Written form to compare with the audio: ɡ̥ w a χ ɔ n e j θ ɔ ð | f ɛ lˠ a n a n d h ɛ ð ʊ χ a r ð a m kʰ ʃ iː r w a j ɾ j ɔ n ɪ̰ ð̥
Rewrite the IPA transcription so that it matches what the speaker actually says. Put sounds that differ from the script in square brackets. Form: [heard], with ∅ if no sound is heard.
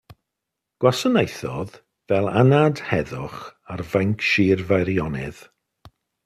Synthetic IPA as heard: ɡ̥ w a [s] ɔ n e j θ ɔ ð | [v] ɛ lˠ a n a [∅] d h ɛ ð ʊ χ a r [v] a [ŋ] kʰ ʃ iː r [v] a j ɾ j ɔ n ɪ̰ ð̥